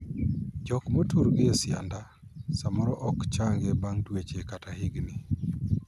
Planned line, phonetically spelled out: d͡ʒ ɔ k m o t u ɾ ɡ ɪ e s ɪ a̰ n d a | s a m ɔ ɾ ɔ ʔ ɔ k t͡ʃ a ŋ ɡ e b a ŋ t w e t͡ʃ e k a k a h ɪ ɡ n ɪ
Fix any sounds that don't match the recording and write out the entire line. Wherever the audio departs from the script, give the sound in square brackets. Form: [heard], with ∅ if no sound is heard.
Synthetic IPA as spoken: d͡ʒ ɔ k m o t u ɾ ɡ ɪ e s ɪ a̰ n d a | s a m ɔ ɾ ɔ ʔ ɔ k t͡ʃ a ŋ ɡ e b a ŋ t w e t͡ʃ e k a [t] a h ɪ ɡ n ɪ